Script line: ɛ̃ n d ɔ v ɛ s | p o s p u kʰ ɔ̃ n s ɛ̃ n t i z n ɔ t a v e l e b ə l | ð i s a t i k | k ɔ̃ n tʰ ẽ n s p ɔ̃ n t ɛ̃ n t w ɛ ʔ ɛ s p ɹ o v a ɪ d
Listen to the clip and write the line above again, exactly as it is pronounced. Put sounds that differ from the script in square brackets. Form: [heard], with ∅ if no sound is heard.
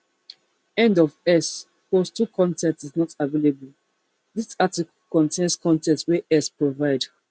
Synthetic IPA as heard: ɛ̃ n d ɔ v ɛ s | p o s [t] u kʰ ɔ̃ n [t] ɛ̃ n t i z n ɔ t a v e l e b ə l | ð i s a t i k | k ɔ̃ n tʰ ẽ n s [k] ɔ̃ n t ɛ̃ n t w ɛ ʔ ɛ s p ɹ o v a ɪ d